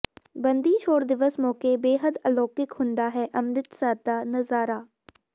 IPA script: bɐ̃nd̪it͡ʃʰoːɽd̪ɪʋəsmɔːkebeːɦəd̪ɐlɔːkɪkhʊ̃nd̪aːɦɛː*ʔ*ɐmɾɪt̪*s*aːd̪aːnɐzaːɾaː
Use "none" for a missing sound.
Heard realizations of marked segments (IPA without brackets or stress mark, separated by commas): ʔ, s